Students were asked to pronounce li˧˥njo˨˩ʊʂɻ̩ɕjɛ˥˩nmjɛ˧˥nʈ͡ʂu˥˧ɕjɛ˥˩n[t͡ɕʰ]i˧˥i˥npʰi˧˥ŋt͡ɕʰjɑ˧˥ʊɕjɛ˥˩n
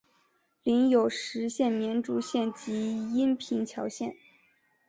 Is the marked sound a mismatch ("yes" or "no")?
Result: yes